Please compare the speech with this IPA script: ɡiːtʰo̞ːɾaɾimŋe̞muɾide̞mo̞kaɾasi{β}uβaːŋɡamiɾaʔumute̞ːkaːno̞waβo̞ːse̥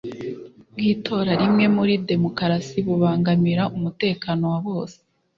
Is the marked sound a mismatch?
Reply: no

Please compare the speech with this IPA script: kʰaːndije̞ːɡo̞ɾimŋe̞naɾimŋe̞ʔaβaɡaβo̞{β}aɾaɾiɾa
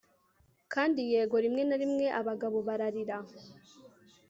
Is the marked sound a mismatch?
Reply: no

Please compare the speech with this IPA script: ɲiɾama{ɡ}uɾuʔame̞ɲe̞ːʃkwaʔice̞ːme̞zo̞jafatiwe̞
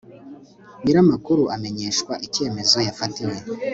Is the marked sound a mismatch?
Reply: yes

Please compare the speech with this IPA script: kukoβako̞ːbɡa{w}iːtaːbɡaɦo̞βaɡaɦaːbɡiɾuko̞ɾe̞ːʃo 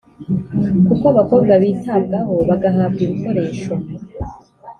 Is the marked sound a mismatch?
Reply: yes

